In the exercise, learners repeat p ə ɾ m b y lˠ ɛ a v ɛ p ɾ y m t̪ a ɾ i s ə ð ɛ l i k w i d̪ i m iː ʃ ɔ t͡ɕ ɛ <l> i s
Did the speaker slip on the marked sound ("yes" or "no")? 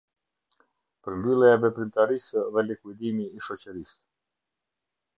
yes